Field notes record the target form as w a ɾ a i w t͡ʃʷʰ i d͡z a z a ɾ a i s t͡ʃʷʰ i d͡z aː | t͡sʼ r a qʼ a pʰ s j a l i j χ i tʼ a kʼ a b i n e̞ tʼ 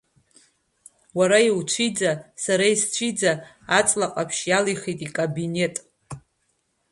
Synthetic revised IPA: w a ɾ a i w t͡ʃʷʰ i d͡z a s a ɾ a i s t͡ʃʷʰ i d͡z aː | t͡sʼ l a qʼ a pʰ ʃ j a l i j χ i tʼ i kʼ a b i n e̞ tʼ